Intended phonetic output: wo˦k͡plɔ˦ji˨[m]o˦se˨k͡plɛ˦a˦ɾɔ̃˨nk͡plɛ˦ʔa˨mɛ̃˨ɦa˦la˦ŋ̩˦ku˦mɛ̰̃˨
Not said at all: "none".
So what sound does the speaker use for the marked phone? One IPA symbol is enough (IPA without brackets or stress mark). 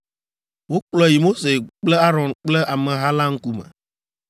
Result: m